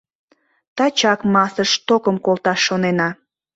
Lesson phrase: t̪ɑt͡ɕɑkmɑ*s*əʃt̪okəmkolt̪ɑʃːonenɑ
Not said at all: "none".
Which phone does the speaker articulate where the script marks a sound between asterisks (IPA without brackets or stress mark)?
s